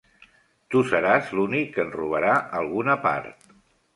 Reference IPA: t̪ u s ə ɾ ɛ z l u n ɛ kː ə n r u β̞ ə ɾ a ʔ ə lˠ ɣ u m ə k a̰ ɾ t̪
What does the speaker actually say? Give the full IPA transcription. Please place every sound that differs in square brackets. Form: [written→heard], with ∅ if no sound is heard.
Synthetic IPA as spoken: t̪ u s ə ɾ [ɛ→a] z l u n [ɛ→i] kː ə n r u β̞ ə ɾ a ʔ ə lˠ ɣ u [m→n] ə [k→p] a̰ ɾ t̪

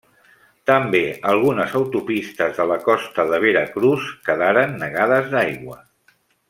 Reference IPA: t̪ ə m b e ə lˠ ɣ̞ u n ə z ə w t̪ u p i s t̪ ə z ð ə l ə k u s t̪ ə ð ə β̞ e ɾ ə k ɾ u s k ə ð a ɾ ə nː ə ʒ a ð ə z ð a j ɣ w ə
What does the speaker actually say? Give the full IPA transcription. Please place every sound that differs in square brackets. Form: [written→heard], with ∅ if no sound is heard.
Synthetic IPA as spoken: t̪ ə m b e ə lˠ ɣ̞ u n ə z ə w t̪ u p i s t̪ ə z ð ə l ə k [u→ɔ] s t̪ ə ð ə β̞ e ɾ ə k ɾ u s k ə ð a ɾ ə nː ə [ʒ→ɣ] a ð ə z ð a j ɣ w ə

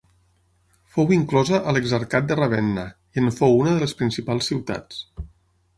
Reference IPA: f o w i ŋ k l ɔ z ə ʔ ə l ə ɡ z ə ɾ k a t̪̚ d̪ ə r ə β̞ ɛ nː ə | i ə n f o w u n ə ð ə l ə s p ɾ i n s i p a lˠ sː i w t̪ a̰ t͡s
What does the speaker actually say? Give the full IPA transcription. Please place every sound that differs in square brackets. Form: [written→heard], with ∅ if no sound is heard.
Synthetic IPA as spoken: f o w i ŋ k l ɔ z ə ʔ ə l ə ɡ z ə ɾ k a t̪̚ d̪ ə r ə β̞ ɛ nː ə | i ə n f o w u n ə ð ə l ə s p ɾ i n s i p a lˠ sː i w t̪ a̰ t͡s

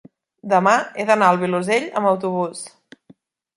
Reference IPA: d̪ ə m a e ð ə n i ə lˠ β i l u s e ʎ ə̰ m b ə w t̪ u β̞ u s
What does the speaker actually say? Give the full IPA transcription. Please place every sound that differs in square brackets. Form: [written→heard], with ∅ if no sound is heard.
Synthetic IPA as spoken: d̪ ə m a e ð ə n [i→a] ə lˠ β i l u [s→z] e ʎ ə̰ m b ə w t̪ u β̞ u s

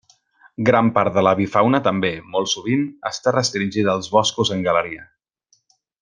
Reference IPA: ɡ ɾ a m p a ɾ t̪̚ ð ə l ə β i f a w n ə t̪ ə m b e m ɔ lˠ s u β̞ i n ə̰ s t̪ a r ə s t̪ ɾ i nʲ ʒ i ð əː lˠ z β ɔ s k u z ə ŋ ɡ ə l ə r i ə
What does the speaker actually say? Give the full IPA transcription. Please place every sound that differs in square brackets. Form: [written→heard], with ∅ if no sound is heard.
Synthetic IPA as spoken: ɡ ɾ a m p a ɾ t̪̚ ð ə l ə β i f a w n ə t̪ ə m b e m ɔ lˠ s u β̞ i n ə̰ s t̪ a r ə s t̪ ɾ i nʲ ʒ i ð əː lˠ z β ɔ s k u z ə ŋ ɡ ə l ə [r→ɾ] i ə

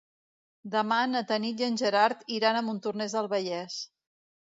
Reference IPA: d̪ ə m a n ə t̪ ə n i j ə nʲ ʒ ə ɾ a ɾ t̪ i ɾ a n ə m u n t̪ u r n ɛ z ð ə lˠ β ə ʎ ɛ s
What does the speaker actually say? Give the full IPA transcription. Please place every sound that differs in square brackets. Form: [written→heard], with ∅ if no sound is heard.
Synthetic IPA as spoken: d̪ ə m a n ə t̪ ə n i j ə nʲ ʒ ə ɾ a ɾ t̪ i ɾ a n ə m u n t̪ u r n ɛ z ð ə lˠ β ə ʎ ɛ s

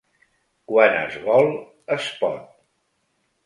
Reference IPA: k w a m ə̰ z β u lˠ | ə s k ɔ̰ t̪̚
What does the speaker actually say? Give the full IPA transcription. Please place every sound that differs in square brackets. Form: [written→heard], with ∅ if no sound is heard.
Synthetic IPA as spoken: k w a [m→n] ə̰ z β [u→ɔ] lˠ | ə s [k→p] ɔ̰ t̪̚

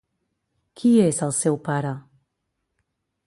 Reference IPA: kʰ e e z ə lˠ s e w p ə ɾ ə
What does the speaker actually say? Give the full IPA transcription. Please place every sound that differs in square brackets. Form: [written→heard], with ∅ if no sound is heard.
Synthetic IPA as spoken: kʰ [e→i] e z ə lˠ s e w p [ə→a] ɾ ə

